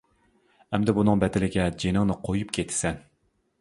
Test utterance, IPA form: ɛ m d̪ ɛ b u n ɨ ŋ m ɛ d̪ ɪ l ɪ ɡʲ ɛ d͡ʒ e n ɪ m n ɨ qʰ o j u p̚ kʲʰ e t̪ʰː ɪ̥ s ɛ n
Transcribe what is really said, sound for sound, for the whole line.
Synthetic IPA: ɛ m d̪ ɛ b u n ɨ ŋ b ɛ d̪ ɪ l ɪ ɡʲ ɛ d͡ʒ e n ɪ ŋ n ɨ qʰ o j u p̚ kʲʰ e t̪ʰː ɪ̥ s ɛ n